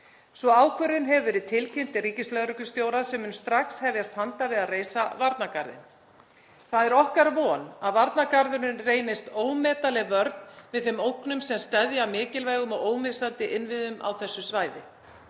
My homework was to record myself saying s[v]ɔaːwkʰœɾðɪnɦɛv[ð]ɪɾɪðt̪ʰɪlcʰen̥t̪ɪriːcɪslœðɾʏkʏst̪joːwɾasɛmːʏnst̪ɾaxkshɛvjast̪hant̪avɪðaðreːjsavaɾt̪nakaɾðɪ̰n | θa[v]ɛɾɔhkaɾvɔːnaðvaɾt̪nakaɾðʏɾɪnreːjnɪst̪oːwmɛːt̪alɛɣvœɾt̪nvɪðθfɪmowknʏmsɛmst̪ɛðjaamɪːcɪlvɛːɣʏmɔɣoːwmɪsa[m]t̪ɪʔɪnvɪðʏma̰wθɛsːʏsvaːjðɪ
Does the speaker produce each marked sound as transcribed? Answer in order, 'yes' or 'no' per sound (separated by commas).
yes, no, no, no